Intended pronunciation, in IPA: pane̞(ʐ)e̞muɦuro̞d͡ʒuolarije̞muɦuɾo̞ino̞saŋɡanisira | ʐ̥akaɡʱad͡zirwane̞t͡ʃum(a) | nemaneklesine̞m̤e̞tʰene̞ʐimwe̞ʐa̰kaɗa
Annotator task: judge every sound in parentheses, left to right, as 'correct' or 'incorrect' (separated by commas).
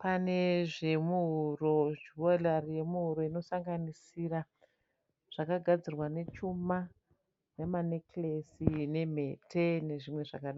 correct, correct